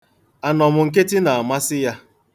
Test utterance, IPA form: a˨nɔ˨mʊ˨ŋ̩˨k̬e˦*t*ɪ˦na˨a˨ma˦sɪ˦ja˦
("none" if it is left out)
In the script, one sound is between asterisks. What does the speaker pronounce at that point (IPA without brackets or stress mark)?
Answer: t